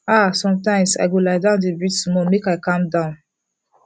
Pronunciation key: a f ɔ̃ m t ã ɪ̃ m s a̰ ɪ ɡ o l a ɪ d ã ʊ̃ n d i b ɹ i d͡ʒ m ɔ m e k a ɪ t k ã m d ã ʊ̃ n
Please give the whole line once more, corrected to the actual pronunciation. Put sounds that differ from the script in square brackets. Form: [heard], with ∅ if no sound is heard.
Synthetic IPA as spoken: a [s] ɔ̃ m t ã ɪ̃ m s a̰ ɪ ɡ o l a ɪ d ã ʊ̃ n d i b ɹ i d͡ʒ m ɔ m e k a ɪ [∅] k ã m d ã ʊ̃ n